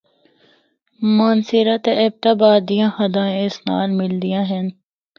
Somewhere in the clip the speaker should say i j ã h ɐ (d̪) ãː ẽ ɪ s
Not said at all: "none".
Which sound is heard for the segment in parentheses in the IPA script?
d̪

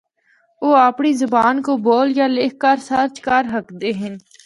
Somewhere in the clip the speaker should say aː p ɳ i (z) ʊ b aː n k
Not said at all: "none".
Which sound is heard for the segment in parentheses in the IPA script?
z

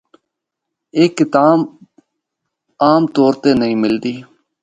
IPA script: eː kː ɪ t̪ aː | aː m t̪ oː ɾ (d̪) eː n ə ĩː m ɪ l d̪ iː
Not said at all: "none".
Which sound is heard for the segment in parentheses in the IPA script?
t̪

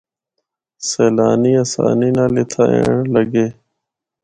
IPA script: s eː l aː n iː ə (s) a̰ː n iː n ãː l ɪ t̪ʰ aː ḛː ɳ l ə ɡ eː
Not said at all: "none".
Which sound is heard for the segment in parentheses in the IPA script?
s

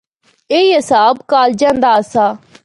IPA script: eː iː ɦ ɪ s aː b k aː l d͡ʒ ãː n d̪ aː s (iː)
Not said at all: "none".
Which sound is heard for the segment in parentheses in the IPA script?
aː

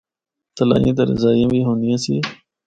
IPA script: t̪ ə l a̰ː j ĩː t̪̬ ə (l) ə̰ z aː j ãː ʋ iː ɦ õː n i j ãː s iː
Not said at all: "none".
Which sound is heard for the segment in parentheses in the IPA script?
ɾ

